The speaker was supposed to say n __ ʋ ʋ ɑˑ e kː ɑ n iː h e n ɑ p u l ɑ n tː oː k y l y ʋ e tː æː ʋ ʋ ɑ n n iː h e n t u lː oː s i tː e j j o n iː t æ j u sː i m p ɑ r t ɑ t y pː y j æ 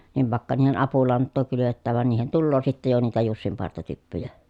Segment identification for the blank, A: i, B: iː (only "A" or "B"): A